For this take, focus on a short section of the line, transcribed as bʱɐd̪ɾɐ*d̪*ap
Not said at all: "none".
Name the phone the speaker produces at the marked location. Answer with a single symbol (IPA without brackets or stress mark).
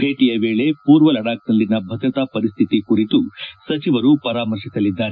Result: t̪